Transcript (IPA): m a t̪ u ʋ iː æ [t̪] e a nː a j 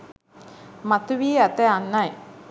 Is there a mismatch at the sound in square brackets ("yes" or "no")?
no